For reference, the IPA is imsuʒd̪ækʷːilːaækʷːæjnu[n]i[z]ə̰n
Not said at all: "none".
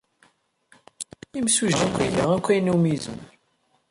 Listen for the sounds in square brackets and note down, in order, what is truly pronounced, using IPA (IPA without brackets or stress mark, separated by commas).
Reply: m, z